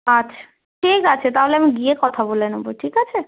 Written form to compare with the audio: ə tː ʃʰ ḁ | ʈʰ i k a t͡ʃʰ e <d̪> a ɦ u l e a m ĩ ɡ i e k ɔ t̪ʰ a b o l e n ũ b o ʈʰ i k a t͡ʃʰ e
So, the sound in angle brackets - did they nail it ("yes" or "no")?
no